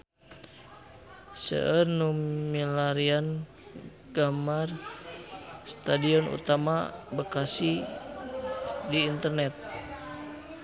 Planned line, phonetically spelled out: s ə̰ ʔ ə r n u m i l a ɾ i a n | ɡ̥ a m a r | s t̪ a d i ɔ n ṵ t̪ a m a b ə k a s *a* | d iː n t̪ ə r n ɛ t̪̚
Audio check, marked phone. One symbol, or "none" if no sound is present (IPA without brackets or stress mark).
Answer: i